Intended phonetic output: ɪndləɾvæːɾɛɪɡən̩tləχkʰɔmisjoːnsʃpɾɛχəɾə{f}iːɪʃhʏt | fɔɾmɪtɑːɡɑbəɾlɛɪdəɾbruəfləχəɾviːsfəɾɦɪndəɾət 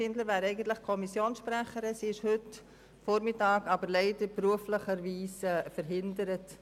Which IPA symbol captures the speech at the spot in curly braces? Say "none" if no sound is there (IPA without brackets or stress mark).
s